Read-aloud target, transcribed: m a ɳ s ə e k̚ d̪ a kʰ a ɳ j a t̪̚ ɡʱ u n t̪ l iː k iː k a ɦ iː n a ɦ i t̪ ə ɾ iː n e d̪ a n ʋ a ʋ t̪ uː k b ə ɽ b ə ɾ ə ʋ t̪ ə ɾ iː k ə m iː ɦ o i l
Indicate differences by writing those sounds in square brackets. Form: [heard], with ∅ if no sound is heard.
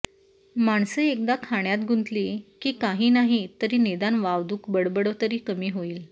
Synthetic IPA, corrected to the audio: m a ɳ s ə e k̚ d̪ a kʰ a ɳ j a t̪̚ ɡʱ u n t̪ l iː k iː k a ɦ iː n a ɦ i t̪ ə ɾ iː n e d̪ a n ʋ a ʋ [d̪] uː k b ə ɽ b ə [ɽ] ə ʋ t̪ ə ɾ iː k ə m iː ɦ o [iː] l